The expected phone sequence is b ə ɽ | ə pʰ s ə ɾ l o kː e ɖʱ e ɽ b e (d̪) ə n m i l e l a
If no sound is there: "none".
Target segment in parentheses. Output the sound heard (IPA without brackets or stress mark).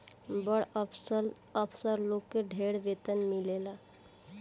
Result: t̪